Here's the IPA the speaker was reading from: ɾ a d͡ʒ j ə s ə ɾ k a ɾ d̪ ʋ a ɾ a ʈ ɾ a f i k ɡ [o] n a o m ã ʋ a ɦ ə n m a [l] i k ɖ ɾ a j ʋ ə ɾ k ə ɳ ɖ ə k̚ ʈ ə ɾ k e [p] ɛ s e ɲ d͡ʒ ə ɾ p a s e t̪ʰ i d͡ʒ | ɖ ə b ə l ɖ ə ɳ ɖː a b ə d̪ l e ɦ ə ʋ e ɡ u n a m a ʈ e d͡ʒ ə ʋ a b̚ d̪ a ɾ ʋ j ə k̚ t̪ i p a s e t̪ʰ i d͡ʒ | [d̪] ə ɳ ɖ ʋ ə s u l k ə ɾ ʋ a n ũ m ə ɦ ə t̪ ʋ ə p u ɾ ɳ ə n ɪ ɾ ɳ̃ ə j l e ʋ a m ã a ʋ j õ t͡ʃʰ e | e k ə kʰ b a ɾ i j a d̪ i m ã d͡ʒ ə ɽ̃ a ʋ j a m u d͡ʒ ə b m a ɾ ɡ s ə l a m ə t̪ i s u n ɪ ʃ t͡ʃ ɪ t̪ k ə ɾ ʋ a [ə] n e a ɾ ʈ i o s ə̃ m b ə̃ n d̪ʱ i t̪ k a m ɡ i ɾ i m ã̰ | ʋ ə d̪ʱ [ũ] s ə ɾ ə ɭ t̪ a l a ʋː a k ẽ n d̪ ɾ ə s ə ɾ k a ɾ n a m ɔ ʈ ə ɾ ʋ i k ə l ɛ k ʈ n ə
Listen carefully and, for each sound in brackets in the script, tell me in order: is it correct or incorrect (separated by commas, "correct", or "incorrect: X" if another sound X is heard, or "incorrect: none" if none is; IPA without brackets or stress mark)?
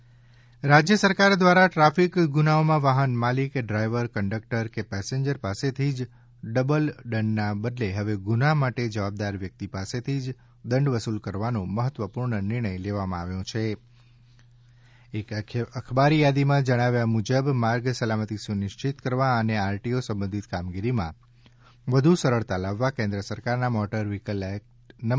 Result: incorrect: u, correct, correct, correct, correct, incorrect: u